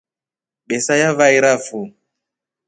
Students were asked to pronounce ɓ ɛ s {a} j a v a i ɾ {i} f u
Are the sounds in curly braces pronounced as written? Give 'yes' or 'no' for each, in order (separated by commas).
yes, no